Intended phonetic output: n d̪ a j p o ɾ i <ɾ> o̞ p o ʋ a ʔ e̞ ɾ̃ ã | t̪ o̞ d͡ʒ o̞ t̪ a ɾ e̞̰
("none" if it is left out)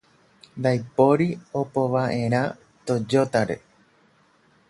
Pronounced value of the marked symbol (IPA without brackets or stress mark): none